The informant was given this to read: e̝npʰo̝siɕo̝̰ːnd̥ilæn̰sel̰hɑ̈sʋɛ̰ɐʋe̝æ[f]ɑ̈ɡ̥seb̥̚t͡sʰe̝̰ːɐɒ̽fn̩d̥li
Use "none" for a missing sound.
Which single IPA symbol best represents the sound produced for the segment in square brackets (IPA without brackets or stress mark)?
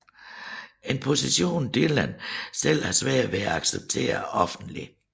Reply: none